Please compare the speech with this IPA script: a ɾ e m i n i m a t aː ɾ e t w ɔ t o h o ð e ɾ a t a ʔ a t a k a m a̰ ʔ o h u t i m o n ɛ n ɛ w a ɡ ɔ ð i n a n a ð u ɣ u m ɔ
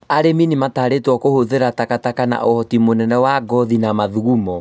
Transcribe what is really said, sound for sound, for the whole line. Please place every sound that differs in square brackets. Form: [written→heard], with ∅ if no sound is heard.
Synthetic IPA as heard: a ɾ e m i n i m a t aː ɾ e t w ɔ [t→k] o h o ð e ɾ a t a [ʔ→k] a t a k a [m→n] a̰ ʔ o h [u→ɔ] t i m o n ɛ n ɛ w a ɡ ɔ ð i n a [n→m] a ð u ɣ u m ɔ